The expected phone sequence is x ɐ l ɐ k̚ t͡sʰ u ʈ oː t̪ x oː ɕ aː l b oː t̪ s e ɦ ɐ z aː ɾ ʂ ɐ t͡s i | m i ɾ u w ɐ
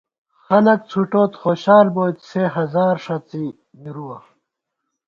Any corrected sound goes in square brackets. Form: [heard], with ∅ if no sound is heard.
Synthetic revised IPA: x ɐ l ɐ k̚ t͡sʰ u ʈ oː t̪ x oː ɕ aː l b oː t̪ s e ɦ ɐ z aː ɾ ʂ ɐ t͡s i | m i ɾ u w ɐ

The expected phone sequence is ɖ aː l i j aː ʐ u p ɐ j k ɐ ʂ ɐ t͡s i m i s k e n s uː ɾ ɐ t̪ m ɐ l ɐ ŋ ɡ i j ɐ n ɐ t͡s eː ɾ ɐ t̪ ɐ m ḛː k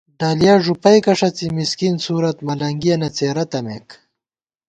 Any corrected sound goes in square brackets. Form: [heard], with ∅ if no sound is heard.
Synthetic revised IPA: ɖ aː l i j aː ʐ u p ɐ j k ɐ ʂ ɐ t͡s i m i s k [i] n s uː ɾ ɐ t̪ m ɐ l ɐ ŋ ɡ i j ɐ n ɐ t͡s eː ɾ ɐ t̪ ɐ m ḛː k

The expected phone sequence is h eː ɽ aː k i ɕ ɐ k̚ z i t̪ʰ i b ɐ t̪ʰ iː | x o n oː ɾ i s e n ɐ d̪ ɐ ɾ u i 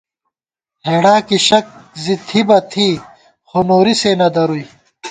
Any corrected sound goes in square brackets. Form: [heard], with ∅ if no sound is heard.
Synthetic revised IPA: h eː ɽ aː k i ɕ ɐ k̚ z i t̪ʰ i b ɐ t̪ʰ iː | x o n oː ɾ i s e n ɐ d̪ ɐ ɾ u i

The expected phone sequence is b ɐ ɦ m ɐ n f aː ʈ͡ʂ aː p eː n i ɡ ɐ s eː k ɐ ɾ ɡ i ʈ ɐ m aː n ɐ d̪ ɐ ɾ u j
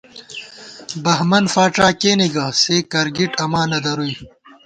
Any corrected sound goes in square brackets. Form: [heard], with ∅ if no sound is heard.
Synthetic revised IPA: b ɐ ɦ m ɐ n f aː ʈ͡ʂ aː [k] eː n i ɡ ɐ s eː k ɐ ɾ ɡ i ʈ ɐ m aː n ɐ d̪ ɐ ɾ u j

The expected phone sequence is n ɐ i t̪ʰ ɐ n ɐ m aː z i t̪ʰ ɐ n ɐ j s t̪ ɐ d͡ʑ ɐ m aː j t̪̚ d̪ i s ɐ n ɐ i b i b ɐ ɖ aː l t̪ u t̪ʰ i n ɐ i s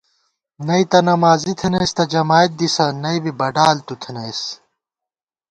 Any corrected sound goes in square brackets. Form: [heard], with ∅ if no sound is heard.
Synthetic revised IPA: n ɐ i [t̪] ɐ n ɐ m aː z i t̪ʰ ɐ n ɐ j s t̪ ɐ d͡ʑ ɐ m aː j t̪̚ d̪ i s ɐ n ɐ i b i b ɐ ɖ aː l t̪ u t̪ʰ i n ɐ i s

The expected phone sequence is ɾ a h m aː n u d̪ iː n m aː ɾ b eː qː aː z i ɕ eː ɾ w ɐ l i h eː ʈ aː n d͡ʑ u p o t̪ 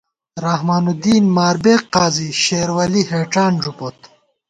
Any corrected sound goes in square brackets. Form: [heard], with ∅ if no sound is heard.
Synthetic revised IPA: ɾ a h m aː n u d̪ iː n m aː ɾ b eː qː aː z i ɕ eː ɾ w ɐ l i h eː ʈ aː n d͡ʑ u p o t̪

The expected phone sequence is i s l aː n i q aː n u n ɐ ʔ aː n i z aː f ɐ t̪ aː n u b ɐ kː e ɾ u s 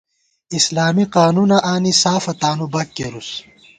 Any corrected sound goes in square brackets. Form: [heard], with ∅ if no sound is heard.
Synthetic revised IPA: i s l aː [m] i q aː n u n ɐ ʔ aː n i [s] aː f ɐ t̪ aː n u b ɐ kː e ɾ u s

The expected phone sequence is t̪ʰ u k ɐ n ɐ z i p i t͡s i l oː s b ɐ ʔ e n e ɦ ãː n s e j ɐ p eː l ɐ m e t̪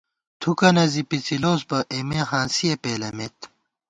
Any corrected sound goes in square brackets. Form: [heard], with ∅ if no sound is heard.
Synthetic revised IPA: t̪ʰ u k ɐ n ɐ z i p i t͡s i l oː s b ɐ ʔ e [m] e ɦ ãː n s [i] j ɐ p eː l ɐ m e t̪

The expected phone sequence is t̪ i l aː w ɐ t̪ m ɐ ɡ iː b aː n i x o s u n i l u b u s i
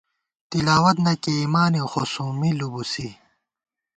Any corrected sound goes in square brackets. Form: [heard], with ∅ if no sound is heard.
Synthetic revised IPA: t̪ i l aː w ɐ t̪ [n] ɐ [k] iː [m] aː n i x o s u [m] i l u b u s i

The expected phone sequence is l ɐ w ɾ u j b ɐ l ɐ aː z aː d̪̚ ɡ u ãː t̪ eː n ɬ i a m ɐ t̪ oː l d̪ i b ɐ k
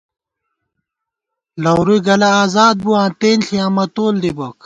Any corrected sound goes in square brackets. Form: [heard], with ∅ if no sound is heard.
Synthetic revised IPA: l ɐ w ɾ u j [ɡ] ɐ l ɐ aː z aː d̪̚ [b] u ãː t̪ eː n ɬ i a m ɐ t̪ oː l d̪ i b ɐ k

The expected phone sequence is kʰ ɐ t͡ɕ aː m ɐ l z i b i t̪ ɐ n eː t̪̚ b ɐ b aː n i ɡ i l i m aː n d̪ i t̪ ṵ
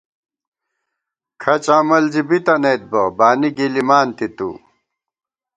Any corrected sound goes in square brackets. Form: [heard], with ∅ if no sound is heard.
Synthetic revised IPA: kʰ ɐ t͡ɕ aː m ɐ l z i b i t̪ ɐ n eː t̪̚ b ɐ b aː n i ɡ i l i m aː n [t̪] i t̪ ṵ

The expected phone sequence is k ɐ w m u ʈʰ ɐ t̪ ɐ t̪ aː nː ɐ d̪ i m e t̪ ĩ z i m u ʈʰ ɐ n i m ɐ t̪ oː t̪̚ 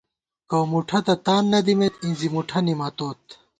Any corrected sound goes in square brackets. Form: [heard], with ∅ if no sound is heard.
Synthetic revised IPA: k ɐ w m u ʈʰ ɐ t̪ ɐ t̪ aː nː ɐ d̪ i m e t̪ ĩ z i m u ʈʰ ɐ n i m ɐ t̪ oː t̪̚

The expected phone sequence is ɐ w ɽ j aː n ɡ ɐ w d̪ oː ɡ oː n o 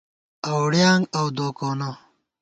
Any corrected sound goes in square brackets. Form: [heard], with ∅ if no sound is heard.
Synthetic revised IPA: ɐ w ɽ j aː [ŋ] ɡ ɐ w d̪ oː [k] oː n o

